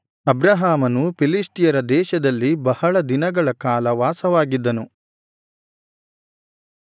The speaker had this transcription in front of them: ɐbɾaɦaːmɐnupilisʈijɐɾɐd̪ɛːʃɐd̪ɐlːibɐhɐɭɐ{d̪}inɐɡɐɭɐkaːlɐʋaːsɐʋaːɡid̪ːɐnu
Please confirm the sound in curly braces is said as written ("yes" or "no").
yes